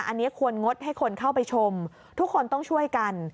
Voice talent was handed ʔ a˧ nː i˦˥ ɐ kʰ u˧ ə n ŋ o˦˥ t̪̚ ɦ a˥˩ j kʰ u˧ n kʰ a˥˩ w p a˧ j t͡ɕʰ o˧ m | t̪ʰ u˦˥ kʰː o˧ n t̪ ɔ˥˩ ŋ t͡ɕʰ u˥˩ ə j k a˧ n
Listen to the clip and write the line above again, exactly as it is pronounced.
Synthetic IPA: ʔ a˧ nː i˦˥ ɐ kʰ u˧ ə n ŋ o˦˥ t̪̚ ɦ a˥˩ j kʰ o˧ n kʰ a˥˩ w p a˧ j t͡ɕʰ o˧ m | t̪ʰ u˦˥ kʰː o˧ n t̪ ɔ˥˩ ŋ t͡ɕʰ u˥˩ ə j k a˧ n